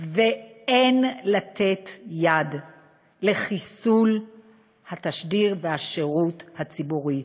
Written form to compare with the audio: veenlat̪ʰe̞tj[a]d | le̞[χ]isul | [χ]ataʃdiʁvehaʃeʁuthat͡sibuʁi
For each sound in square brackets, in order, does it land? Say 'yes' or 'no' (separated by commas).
yes, yes, no